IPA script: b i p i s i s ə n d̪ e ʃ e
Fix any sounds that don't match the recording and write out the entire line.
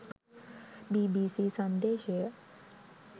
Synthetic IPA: b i b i s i s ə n d̪ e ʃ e